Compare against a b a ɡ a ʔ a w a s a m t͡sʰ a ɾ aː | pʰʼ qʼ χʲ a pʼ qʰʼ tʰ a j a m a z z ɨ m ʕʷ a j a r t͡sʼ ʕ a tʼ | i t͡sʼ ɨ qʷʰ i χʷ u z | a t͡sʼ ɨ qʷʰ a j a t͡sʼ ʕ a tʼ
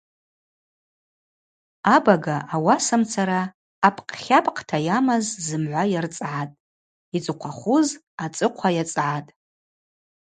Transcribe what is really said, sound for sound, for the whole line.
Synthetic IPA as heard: a b a ɡ a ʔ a w a s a m t͡sʰ a ɾ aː | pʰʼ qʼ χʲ a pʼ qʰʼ tʰ a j a m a z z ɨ m ʕʷ a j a r t͡sʼ ʕ a tʼ | i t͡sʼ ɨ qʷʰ a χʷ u z | a t͡sʼ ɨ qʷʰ a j a t͡sʼ ʕ a tʼ